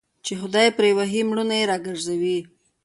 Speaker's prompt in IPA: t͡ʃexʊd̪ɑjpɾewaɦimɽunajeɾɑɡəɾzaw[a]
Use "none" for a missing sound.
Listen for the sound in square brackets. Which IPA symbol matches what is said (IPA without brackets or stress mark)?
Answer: i